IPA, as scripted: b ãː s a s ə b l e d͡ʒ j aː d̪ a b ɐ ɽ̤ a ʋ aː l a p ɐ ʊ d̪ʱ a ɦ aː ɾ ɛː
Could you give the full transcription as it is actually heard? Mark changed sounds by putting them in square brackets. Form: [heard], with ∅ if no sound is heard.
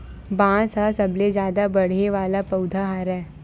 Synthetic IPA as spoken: b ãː s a s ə b l e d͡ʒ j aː d̪ a b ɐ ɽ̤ [e] ʋ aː l a p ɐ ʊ d̪ʱ a ɦ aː ɾ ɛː